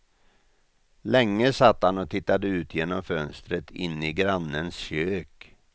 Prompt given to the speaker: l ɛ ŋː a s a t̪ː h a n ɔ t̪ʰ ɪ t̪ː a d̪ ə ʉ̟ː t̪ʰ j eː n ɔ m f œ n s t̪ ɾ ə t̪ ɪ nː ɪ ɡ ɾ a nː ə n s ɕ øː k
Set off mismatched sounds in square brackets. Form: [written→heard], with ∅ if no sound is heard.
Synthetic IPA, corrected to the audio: l ɛ ŋː [a→ə] s a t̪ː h a n ɔ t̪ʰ ɪ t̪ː a d̪ ə ʉ̟ː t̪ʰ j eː n ɔ m f œ n s t̪ ɾ ə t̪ ɪ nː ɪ ɡ ɾ a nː ə n s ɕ øː k